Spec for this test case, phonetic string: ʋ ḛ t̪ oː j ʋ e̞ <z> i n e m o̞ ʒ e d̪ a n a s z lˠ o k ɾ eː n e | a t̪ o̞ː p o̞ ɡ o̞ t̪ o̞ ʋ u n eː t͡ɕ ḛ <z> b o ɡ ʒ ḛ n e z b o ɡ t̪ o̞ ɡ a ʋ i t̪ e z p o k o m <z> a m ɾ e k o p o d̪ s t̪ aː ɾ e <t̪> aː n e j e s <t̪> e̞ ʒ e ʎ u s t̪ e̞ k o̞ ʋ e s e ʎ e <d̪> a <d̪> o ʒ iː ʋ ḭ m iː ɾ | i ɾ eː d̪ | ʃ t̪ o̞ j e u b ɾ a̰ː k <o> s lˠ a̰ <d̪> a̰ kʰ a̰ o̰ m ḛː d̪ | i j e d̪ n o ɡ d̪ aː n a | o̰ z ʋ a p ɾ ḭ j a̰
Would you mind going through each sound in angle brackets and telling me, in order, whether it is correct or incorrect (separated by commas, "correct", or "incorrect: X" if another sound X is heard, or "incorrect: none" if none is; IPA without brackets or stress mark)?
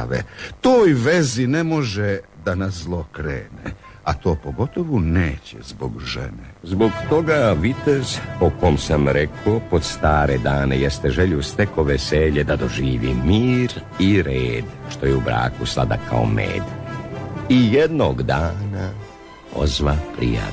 correct, correct, incorrect: s, incorrect: d̪, correct, correct, correct, incorrect: u, correct